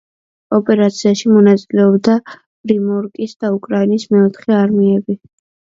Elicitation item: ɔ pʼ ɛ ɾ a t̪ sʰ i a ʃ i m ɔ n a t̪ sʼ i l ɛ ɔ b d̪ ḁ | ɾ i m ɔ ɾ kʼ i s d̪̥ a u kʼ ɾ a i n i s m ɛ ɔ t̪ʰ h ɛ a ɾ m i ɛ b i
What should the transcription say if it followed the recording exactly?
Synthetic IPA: ɔ pʼ ɛ ɾ a t̪ sʰ i a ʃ i m ɔ n a t̪ sʼ i l ɛ ɔ b d̪ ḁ | ɾ i m ɔ ɾ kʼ i s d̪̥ a u kʼ ɾ a i n i s m ɛ ɔ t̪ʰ χ ɛ a ɾ m i ɛ b i